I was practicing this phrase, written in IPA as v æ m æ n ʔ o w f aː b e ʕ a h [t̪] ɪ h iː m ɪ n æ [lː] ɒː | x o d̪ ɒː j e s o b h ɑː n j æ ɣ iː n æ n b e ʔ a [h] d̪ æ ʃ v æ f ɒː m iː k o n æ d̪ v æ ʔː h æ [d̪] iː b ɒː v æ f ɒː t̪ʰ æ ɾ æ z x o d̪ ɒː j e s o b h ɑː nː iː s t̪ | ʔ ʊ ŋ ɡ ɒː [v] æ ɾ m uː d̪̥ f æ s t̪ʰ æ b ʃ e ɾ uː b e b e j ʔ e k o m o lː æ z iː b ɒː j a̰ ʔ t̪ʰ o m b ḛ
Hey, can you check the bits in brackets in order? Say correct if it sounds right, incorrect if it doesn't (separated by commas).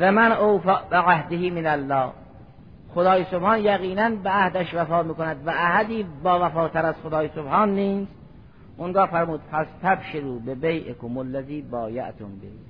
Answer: incorrect, correct, correct, correct, incorrect